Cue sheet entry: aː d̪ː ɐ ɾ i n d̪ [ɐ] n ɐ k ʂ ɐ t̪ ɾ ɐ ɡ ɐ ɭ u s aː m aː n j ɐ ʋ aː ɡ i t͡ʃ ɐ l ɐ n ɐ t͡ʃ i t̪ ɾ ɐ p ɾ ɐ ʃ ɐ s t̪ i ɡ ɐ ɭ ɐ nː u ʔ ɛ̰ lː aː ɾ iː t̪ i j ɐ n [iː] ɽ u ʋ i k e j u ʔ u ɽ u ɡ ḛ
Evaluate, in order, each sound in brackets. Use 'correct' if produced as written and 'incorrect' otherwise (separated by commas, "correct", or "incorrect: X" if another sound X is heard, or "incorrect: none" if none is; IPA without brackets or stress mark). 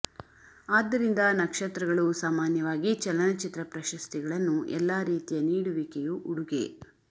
correct, correct